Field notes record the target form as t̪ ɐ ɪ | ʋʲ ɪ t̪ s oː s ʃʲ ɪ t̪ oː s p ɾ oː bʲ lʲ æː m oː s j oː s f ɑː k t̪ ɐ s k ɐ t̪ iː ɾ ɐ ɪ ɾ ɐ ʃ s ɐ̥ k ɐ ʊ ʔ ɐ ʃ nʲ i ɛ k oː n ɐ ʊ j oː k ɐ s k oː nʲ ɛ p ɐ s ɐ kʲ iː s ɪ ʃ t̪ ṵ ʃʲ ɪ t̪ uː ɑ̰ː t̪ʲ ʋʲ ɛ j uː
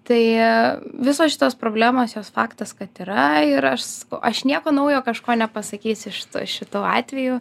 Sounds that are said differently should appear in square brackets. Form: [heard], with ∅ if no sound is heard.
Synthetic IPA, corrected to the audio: t̪ ɐ ɪ | ʋʲ ɪ [∅] s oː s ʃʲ ɪ t̪ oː s p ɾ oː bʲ lʲ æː m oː s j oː s f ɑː k t̪ ɐ s k ɐ t̪ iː ɾ ɐ ɪ ɾ ɐ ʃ s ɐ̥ k ɐ ʊ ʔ ɐ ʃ nʲ i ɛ k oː n ɐ ʊ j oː k ɐ [ʃ] k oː nʲ ɛ p ɐ s ɐ kʲ iː s ɪ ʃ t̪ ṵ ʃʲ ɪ t̪ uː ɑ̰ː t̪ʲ ʋʲ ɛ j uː